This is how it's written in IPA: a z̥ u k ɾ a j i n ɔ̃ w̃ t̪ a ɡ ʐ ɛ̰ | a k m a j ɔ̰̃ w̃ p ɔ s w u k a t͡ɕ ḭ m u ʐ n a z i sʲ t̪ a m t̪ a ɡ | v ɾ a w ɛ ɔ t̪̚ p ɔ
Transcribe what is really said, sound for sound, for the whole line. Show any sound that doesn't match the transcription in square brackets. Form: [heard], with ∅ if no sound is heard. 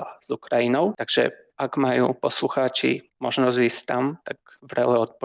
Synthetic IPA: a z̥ u k ɾ a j i n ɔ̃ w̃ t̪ a ɡ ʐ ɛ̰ | a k m a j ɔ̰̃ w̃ p ɔ s w u [x] a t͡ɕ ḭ m [ɔ] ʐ n a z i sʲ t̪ a m t̪ a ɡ | v ɾ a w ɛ ɔ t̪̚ p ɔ